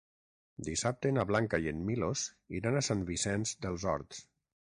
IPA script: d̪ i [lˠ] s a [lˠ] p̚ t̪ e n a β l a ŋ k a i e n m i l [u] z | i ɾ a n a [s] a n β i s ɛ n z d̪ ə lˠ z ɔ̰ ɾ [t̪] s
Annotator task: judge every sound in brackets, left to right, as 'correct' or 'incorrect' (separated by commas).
incorrect, incorrect, incorrect, correct, correct